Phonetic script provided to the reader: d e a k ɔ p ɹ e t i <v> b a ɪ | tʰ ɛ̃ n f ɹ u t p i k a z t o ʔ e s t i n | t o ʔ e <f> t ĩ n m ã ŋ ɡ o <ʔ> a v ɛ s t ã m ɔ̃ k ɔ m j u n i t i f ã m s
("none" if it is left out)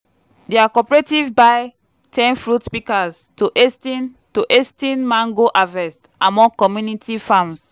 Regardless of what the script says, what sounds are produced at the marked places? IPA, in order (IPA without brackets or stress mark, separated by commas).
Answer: v, s, ʔ